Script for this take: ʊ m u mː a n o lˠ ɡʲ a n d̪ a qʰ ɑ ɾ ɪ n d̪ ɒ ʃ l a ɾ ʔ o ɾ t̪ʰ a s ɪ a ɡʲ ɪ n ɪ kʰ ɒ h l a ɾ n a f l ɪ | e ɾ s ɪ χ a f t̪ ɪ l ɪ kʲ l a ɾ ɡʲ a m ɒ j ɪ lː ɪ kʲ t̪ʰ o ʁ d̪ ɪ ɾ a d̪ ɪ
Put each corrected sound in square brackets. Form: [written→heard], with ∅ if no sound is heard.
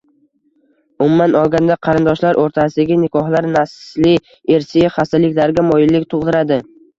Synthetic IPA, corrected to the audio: ʊ m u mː a n [o→ɒ] lˠ ɡʲ a n d̪ a qʰ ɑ ɾ ɪ n d̪ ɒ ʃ l a ɾ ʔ o ɾ t̪ʰ a s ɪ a ɡʲ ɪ n ɪ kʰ ɒ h l a ɾ n a [f→s] l ɪ | e ɾ s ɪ χ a [f→s] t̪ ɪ l ɪ kʲ l a ɾ ɡʲ a m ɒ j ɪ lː ɪ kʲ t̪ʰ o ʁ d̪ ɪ ɾ a d̪ ɪ